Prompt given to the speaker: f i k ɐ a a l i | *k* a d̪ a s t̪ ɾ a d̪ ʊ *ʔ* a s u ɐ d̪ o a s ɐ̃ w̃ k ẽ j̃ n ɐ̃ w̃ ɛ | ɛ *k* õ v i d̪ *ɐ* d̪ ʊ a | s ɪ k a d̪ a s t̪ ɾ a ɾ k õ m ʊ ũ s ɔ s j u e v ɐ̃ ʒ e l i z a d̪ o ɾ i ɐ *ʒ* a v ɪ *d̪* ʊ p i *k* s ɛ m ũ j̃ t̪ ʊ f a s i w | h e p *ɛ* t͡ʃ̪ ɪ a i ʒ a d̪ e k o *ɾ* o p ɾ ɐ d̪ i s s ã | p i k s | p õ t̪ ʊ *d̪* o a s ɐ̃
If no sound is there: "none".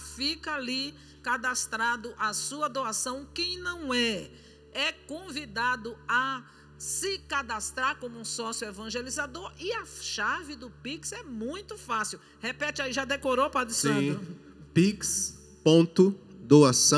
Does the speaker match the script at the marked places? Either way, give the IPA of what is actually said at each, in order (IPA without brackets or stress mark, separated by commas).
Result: k, ʔ, k, a, ʃ, d̪, k, ɛ, ɾ, d̪